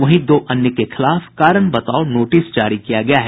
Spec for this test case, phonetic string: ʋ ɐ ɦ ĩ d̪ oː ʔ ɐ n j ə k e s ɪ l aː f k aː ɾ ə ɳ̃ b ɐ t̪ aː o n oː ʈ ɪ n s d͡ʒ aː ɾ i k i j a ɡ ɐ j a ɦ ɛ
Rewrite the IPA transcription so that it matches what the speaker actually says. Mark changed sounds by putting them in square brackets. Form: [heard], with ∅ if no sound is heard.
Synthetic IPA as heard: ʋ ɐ ɦ ĩ d̪ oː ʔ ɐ n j ə k e [x] ɪ l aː f k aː ɾ ə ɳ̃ b ɐ t̪ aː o n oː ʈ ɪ [∅] s d͡ʒ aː ɾ i k i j a ɡ ɐ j a ɦ ɛ